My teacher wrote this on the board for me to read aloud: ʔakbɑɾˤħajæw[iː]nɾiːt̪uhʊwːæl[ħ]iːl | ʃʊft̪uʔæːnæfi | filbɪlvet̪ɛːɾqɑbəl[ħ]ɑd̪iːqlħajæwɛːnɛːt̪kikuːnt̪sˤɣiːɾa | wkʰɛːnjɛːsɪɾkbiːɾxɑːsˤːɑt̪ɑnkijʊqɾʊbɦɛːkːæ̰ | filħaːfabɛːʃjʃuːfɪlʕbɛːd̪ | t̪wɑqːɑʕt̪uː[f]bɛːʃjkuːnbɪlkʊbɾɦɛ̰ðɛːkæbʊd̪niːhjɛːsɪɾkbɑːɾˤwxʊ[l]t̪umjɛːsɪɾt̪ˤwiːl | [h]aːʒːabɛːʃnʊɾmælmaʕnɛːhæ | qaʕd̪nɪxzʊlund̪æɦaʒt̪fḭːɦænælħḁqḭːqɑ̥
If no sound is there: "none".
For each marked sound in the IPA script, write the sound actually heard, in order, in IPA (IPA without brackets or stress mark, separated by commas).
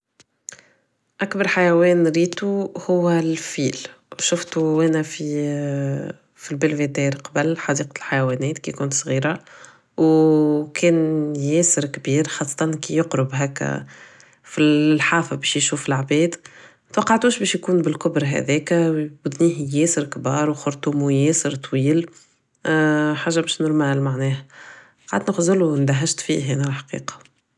ɛː, f, ħ, ʃ, ɾ, ħ